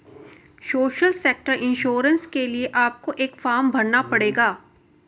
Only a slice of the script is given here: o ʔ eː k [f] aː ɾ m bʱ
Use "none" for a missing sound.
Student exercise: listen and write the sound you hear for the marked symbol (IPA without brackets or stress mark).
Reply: f